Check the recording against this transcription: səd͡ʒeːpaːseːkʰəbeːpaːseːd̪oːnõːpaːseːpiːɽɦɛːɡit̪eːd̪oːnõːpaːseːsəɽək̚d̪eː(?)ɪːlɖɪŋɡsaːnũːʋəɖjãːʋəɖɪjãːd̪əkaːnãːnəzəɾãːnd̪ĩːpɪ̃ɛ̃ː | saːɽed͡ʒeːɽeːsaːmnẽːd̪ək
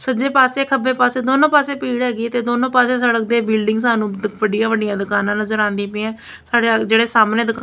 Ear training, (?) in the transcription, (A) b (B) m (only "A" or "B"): A